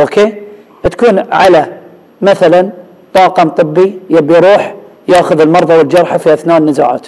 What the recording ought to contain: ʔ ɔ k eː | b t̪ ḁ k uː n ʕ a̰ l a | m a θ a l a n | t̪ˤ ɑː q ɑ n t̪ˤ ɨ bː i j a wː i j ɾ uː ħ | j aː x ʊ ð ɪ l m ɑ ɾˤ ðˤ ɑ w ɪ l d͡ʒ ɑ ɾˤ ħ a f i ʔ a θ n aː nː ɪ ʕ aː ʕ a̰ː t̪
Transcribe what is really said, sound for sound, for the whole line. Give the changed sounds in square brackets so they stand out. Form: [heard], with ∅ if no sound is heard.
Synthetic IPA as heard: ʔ [o] k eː | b t̪ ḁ k uː n ʕ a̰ l a | m a θ a l a n | t̪ˤ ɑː q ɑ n t̪ˤ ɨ bː i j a [bː] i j ɾ uː ħ | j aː x ʊ ð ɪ l m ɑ ɾˤ ðˤ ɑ w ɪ l d͡ʒ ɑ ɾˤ ħ a f i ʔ a θ n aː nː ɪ [z] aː ʕ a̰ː t̪